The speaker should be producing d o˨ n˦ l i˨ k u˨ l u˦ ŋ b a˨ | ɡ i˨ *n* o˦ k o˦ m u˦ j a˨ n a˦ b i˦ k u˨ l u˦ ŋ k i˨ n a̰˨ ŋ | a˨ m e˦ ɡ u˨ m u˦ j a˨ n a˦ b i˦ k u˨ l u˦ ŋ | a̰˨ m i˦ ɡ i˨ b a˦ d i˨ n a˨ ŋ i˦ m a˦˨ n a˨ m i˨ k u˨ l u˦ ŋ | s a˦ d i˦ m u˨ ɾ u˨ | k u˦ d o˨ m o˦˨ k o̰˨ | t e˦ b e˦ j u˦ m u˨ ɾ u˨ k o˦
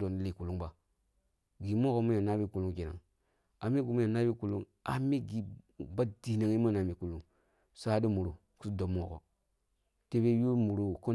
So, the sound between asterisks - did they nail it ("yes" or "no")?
no